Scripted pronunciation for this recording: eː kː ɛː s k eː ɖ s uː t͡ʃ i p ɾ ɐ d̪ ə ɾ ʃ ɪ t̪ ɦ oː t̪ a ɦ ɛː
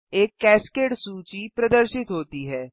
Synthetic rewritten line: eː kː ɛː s k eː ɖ s uː t͡ʃ i p ɾ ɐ d̪ ə ɾ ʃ ɪ t̪ ɦ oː t̪ i ɦ ɛː